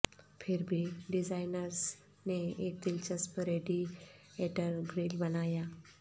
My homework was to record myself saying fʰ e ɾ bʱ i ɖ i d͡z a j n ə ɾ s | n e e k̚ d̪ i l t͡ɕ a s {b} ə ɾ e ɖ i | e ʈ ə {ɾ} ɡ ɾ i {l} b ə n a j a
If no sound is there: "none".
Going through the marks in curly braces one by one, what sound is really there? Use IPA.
p, ɾ, l

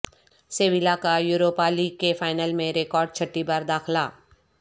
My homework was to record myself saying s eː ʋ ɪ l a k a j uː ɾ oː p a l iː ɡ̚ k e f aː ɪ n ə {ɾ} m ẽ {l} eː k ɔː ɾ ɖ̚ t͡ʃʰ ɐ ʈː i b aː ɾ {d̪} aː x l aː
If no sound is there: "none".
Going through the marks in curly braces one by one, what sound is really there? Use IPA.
l, ɾ, d̪

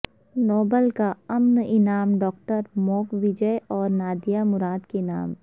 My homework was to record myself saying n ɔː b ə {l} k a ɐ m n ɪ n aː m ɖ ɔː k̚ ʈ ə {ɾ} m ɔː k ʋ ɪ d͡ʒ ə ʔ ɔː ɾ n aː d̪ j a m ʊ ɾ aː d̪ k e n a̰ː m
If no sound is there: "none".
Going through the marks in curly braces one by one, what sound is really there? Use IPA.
l, ɾ

